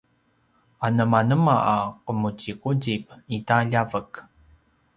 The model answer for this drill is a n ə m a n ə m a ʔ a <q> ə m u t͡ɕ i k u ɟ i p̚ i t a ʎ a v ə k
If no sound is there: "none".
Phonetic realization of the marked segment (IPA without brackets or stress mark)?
q